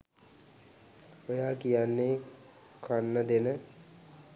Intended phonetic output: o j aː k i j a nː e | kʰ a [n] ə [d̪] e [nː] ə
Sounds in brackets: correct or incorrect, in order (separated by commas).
incorrect, correct, incorrect